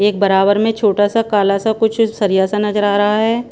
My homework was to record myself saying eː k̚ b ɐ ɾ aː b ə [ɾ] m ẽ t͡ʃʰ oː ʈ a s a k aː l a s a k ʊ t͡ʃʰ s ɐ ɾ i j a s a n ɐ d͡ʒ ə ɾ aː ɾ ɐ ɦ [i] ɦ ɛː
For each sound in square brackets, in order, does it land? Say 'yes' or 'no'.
yes, no

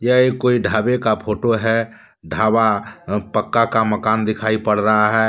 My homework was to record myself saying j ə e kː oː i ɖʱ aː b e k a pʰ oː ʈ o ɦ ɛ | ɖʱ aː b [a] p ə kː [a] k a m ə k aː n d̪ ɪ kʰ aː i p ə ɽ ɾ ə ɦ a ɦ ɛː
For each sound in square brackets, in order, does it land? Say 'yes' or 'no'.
yes, yes

